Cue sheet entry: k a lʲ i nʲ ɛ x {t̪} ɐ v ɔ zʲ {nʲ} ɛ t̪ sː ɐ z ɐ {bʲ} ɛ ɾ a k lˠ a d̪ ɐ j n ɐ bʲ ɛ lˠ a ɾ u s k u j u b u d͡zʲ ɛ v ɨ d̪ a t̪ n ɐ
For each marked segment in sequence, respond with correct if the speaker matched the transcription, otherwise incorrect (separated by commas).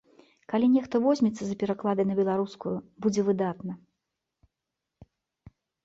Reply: correct, incorrect, incorrect